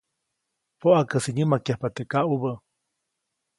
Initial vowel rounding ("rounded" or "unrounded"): rounded